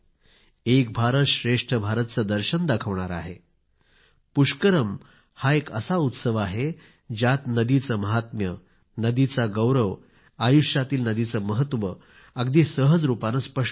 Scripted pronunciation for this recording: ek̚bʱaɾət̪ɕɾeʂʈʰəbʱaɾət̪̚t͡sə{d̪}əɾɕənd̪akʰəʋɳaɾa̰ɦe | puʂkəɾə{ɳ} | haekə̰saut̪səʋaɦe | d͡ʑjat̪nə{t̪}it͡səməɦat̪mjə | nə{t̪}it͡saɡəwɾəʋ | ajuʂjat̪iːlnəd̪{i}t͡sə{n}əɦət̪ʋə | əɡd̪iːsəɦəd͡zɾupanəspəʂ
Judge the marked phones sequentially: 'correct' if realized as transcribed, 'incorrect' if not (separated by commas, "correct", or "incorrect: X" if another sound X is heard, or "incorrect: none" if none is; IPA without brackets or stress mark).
correct, incorrect: m, incorrect: d̪, incorrect: d̪, correct, incorrect: m